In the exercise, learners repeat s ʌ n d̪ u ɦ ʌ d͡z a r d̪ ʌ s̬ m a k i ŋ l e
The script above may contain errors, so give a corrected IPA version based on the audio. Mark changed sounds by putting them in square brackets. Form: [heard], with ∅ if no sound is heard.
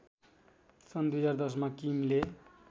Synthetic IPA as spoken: s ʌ n d̪ u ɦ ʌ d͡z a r d̪ ʌ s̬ m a k i [m] l e